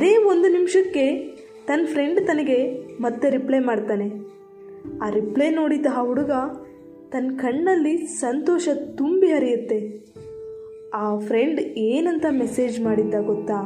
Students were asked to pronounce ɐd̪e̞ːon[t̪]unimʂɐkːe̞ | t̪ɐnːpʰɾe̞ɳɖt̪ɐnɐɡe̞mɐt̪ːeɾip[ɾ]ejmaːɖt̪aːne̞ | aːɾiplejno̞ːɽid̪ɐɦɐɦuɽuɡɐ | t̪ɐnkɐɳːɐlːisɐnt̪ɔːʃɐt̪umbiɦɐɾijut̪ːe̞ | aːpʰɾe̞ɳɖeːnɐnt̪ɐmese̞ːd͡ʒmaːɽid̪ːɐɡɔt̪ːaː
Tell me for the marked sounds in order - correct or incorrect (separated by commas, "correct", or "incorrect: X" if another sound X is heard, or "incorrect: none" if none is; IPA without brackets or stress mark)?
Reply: incorrect: d̪, incorrect: l